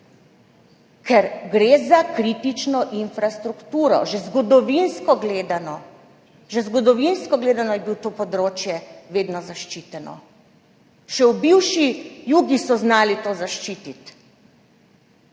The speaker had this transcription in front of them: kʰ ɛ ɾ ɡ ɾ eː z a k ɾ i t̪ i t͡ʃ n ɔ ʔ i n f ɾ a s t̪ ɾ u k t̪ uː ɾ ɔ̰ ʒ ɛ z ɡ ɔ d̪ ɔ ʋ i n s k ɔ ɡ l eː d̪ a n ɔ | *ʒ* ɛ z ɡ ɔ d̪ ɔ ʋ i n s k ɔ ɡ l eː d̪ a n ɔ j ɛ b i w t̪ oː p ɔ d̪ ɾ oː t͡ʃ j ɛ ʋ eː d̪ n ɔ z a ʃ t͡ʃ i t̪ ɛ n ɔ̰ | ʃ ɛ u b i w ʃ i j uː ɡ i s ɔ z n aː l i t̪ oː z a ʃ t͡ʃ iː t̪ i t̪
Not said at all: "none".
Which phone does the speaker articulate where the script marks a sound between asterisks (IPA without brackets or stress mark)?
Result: ʒ